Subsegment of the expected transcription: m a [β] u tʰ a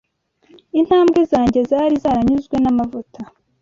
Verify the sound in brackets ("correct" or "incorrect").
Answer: incorrect